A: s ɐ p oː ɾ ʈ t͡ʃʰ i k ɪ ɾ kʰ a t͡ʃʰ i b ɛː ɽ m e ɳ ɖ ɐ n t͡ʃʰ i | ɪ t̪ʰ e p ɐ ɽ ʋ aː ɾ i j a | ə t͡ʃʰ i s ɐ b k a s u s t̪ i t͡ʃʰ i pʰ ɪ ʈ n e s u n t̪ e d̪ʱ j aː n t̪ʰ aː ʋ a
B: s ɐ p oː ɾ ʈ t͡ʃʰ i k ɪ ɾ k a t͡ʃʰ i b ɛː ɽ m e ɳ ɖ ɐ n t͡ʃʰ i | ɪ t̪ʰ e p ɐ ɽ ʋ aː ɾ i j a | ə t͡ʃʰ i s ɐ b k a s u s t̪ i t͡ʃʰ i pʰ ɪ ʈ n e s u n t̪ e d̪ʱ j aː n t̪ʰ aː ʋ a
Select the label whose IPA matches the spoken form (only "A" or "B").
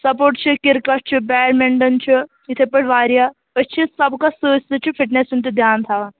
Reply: B